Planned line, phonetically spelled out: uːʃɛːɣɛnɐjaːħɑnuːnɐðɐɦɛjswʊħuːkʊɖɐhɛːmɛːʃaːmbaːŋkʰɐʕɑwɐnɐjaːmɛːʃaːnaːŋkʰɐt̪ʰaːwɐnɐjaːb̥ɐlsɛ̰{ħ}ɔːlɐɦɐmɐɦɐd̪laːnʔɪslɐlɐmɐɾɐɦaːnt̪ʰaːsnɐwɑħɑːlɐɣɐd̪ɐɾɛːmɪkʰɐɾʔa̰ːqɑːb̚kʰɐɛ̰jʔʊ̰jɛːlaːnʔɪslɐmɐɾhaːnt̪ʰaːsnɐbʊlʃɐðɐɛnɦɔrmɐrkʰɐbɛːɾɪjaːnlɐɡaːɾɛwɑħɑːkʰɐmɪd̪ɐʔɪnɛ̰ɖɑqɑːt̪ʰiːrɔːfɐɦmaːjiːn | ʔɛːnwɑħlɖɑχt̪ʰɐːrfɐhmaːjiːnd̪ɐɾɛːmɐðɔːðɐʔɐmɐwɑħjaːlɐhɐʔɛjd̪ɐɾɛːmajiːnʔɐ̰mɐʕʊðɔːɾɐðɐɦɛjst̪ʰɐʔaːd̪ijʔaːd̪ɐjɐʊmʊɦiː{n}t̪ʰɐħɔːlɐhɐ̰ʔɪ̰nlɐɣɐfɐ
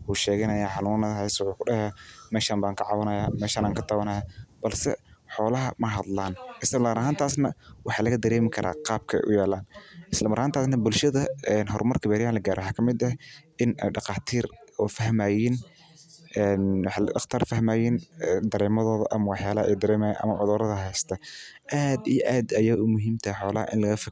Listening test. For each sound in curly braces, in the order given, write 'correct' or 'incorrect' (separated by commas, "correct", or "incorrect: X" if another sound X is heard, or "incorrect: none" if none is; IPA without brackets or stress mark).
correct, incorrect: m